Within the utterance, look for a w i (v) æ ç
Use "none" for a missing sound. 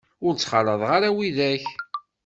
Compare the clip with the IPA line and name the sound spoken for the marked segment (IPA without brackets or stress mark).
ð